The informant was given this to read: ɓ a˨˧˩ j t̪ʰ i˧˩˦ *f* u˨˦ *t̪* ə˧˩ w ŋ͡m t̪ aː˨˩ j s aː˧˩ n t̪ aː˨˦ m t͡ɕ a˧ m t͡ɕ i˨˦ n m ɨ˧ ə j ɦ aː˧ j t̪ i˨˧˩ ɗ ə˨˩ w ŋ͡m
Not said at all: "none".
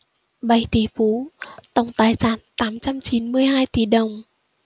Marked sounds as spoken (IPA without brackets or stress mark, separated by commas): f, t̪